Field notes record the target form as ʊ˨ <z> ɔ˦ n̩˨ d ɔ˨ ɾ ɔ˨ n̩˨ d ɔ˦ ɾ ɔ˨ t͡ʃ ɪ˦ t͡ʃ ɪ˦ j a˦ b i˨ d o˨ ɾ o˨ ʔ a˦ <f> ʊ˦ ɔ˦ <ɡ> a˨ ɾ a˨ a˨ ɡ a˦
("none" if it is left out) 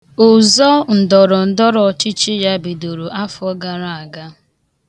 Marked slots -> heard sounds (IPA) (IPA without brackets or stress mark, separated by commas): z, f, ɡ